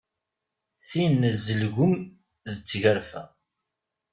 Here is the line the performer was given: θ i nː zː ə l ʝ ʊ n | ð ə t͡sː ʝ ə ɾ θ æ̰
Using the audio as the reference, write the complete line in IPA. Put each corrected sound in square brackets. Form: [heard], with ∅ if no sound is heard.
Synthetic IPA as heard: θ i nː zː ə l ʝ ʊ [m] | ð ə t͡sː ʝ ə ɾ [f] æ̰